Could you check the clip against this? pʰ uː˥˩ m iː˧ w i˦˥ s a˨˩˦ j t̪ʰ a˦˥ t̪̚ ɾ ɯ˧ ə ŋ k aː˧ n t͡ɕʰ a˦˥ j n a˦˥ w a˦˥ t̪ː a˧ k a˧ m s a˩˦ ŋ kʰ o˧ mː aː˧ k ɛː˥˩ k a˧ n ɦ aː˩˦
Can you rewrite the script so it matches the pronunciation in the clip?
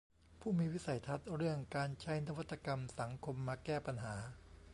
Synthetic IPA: pʰ uː˥˩ m iː˧ w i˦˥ s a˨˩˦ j t̪ʰ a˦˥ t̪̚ ɾ ɯ˥˩ ə ŋ k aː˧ n t͡ɕʰ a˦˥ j n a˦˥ w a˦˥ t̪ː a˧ k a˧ m s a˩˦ ŋ kʰ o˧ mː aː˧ k ɛː˥˩ p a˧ n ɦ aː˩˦